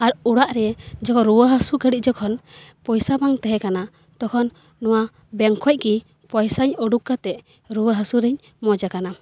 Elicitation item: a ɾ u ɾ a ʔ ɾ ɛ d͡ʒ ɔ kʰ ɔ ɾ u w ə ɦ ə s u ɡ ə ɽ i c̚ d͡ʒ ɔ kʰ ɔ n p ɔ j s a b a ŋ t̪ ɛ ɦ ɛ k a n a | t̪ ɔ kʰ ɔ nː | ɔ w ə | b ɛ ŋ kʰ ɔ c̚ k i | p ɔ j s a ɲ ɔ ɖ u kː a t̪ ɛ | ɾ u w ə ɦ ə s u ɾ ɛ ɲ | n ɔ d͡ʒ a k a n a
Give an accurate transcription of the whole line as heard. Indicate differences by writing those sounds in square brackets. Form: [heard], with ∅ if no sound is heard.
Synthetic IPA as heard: a ɾ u [ɽ] a ʔ ɾ ɛ d͡ʒ ɔ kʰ ɔ ɾ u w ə ɦ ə s u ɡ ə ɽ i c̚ d͡ʒ ɔ kʰ ɔ n p ɔ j s a b a ŋ t̪ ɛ ɦ ɛ k a n a | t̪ ɔ kʰ ɔ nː | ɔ w [a] | b ɛ ŋ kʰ ɔ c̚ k i | p ɔ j s a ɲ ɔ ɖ u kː a t̪ ɛ | ɾ u w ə ɦ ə s u ɾ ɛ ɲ | [m] ɔ d͡ʒ a k a n a